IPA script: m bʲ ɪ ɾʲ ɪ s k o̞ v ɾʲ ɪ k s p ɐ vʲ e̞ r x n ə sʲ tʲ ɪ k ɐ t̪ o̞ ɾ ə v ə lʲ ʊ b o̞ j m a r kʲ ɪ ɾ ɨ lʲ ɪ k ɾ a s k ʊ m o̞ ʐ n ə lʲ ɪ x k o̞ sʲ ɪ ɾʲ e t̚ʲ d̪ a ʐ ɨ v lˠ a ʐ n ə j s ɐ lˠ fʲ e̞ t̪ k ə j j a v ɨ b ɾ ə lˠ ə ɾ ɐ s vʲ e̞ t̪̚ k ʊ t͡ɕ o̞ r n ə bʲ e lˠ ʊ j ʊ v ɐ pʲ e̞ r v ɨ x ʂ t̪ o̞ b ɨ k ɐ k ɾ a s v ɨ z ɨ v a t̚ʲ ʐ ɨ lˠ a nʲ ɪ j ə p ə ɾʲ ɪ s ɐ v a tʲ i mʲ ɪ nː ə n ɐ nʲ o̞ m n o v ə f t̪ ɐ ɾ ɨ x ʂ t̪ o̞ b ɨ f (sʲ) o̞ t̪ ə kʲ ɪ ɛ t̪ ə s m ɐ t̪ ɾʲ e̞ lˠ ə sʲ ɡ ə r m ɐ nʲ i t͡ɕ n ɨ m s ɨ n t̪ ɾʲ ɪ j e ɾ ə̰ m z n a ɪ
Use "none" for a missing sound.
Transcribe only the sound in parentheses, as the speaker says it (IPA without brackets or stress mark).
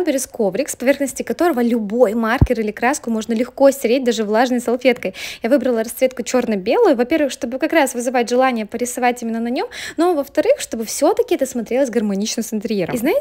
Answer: sʲ